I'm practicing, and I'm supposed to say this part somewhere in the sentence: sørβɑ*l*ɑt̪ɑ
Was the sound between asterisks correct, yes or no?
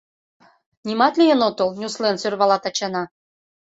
yes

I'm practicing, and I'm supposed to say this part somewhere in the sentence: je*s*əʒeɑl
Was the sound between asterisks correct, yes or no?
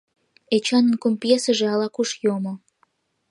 yes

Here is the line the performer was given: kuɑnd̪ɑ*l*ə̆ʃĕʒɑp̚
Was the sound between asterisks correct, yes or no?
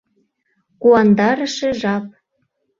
no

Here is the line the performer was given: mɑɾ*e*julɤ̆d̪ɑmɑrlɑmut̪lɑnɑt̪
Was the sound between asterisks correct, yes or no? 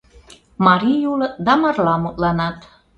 no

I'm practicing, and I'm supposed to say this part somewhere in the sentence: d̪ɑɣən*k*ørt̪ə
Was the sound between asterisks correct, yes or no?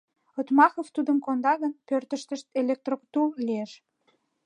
no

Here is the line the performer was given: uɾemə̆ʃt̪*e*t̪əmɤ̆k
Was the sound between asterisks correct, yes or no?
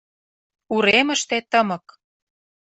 yes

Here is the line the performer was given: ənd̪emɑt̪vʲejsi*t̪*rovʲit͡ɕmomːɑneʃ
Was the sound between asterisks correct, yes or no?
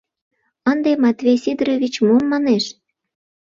no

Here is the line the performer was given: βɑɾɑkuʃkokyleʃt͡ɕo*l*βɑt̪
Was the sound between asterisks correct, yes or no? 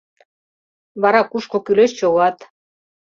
no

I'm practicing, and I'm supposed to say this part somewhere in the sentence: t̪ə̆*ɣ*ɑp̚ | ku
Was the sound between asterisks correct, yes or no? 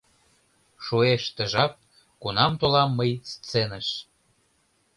no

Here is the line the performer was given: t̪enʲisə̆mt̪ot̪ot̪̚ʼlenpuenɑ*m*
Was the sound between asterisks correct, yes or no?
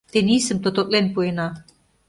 no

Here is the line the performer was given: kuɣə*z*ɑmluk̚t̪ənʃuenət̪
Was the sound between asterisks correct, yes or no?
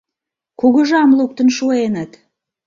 no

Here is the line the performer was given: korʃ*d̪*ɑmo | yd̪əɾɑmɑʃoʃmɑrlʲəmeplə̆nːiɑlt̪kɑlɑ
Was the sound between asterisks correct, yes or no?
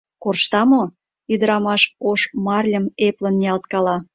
no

